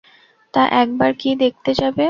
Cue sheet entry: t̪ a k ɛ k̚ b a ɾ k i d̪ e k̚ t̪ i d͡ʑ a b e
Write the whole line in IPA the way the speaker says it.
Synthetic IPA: t̪ a ʔ ɛ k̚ b a ɾ k i d̪ e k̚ t̪ e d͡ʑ a b e